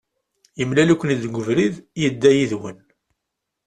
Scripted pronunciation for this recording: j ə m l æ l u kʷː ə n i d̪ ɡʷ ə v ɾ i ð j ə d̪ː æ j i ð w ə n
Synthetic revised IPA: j ə m l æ l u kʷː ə n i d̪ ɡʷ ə v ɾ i ð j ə d̪ː æ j i ð w ə n